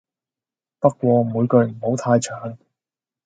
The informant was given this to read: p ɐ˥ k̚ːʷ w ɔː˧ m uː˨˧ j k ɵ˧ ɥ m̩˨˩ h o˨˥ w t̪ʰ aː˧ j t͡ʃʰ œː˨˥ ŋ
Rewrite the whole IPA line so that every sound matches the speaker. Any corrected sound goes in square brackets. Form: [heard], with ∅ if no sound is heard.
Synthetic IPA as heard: p ɐ˥ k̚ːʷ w ɔː˧ m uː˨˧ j k ɵ˧ ɥ m̩˨˩ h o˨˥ w t̪ʰ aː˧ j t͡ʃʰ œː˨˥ ŋ